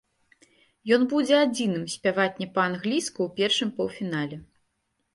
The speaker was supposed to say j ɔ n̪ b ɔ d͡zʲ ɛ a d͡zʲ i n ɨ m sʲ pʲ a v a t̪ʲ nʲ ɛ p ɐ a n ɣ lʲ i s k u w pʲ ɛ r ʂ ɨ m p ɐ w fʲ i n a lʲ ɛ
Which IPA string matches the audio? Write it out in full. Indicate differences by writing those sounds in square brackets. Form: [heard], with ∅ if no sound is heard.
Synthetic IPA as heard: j ɔ n̪ b [u] d͡zʲ ɛ a d͡zʲ i n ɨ m sʲ pʲ a v a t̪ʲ nʲ ɛ p ɐ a n ɣ lʲ i s k u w pʲ ɛ r ʂ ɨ m p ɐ w fʲ i n a lʲ ɛ

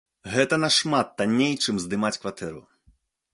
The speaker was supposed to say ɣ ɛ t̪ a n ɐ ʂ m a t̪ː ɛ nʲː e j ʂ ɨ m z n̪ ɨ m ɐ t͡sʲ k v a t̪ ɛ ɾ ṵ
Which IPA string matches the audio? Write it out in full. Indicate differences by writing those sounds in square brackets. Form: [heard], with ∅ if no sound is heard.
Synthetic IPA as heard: ɣ ɛ t̪ [ɐ] n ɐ ʂ m a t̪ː [a] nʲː e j [t͡ʂ] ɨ m z [d̪] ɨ m [a] t͡sʲ k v a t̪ ɛ ɾ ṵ

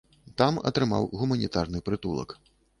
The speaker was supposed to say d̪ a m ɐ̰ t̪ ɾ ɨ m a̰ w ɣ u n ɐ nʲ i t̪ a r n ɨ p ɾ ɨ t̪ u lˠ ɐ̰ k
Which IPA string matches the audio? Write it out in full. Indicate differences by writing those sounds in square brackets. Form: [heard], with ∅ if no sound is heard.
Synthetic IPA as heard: [t̪] a m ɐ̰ t̪ ɾ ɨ m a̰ w ɣ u [m] ɐ nʲ i t̪ a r n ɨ p ɾ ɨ t̪ u lˠ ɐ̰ k

